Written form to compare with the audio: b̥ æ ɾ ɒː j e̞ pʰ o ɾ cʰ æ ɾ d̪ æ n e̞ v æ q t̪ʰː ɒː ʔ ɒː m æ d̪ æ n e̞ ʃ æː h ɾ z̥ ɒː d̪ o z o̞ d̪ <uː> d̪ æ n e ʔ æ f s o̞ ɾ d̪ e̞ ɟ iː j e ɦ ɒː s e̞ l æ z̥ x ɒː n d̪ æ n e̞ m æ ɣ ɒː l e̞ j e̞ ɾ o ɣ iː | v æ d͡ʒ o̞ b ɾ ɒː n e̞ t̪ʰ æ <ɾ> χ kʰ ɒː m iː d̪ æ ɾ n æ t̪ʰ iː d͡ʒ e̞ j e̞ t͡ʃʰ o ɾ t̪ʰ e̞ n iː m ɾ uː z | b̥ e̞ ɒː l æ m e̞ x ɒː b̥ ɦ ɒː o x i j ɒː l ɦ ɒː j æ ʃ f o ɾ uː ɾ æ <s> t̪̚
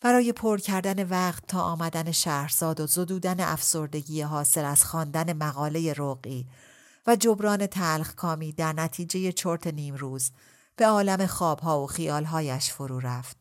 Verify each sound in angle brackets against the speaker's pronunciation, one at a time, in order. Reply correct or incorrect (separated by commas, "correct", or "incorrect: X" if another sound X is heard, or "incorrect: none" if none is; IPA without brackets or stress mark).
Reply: correct, incorrect: l, incorrect: f